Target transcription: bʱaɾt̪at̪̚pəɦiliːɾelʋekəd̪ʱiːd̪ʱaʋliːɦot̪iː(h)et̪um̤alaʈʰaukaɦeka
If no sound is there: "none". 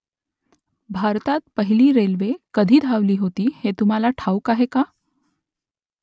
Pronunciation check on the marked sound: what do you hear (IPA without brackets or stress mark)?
h